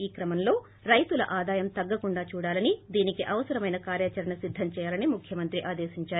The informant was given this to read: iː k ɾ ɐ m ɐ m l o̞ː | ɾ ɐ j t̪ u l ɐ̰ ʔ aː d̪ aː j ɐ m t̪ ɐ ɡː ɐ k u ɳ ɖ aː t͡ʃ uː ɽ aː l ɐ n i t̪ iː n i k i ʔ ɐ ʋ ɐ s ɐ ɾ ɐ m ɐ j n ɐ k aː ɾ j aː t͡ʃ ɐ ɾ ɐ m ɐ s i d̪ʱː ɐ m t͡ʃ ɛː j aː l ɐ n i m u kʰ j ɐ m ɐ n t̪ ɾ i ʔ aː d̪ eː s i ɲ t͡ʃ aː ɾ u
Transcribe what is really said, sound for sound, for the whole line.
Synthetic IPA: iː k ɾ ɐ m ɐ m l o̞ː | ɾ ɐ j t̪ u l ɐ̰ ʔ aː d̪ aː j ɐ m t̪ ɐ ɡː ɐ k u ɳ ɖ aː t͡ʃ uː ɽ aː l ɐ n i d̪ iː n i k i ʔ ɐ ʋ ɐ s ɐ ɾ ɐ m ɐ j n ɐ k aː ɾ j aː t͡ʃ ɐ ɾ ɐ ɳ ɐ s i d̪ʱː ɐ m t͡ʃ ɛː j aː l ɐ n i m u kʰ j ɐ m ɐ n t̪ ɾ i ʔ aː d̪ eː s i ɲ t͡ʃ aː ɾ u